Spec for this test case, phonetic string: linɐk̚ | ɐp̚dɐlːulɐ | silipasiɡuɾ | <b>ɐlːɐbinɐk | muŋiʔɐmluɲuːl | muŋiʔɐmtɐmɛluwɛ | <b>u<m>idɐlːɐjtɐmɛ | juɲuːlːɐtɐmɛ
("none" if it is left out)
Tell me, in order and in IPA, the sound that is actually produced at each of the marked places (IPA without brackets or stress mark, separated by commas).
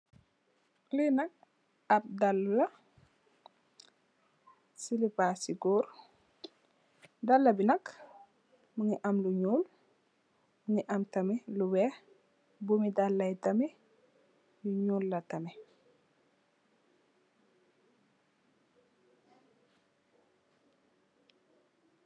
d, b, m